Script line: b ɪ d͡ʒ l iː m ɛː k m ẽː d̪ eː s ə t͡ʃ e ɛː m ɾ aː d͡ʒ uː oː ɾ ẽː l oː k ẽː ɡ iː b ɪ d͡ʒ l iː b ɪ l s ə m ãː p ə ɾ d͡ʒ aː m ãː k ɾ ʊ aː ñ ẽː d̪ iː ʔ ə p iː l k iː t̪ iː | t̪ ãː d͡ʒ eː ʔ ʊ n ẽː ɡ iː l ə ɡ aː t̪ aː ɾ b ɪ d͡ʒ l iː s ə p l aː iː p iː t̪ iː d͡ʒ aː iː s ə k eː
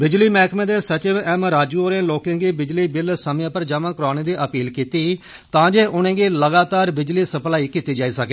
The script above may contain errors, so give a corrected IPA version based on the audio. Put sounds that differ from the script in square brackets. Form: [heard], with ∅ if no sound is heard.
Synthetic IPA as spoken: b ɪ d͡ʒ l iː m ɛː k m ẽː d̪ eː s ə t͡ʃ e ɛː m ɾ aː d͡ʒ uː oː ɾ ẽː l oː k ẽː ɡ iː b ɪ d͡ʒ l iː b ɪ l s ə m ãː p ə ɾ d͡ʒ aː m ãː k ɾ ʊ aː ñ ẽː d̪ iː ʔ ə p iː l k iː t̪ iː | t̪ ãː d͡ʒ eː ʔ ʊ n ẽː ɡ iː l ə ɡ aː t̪ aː ɾ b ɪ d͡ʒ l iː s ə p l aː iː [k] iː t̪ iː d͡ʒ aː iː s ə k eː